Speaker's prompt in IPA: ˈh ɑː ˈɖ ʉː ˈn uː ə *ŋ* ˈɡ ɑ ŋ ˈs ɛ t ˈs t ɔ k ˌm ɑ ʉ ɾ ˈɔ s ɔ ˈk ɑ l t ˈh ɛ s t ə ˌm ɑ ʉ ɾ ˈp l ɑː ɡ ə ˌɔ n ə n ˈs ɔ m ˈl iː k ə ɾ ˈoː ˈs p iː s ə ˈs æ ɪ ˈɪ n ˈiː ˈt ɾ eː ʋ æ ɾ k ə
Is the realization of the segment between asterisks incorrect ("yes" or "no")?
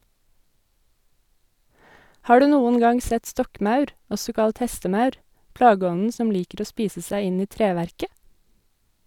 yes